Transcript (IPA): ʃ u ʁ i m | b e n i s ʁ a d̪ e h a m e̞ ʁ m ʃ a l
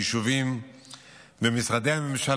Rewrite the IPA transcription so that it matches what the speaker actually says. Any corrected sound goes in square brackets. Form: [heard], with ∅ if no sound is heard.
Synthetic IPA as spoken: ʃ u [v] i m | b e [m] i s ʁ a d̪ e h a m e̞ [∅] m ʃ a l